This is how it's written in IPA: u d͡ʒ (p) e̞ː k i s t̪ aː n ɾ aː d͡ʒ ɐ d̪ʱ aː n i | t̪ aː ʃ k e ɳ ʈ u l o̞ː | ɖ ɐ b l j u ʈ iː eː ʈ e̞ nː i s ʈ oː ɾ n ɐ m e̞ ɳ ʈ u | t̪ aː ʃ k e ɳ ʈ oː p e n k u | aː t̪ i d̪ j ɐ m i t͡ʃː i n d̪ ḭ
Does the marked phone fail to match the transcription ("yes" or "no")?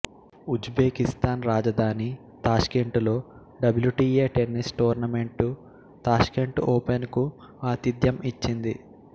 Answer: yes